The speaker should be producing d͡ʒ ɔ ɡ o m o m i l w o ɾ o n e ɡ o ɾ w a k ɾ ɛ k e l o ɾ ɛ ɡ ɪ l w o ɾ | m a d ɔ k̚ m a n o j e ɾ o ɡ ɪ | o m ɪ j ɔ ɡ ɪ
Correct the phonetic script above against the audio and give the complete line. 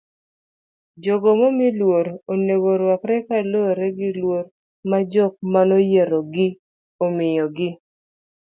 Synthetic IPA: d͡ʒ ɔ ɡ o m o m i l w o ɾ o n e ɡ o ɾ w a k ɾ ɛ k a l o ɾ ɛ ɡ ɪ l w o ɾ | m a d͡ʒ ɔ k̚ m a n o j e ɾ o ɡ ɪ | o m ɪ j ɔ ɡ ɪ